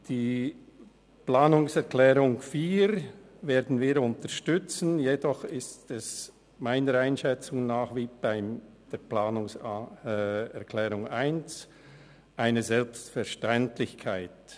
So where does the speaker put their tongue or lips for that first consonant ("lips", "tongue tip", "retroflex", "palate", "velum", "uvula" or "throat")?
tongue tip